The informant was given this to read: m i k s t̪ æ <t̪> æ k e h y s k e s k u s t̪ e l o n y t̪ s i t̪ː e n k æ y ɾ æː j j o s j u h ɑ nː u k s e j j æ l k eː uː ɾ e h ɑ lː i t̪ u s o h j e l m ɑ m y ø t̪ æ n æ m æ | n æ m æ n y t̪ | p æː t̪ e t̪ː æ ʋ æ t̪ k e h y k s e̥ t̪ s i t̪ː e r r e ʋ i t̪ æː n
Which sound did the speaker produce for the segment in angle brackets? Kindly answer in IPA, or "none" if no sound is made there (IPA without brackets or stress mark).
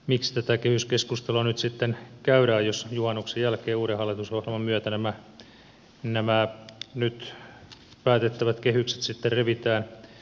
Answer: t̪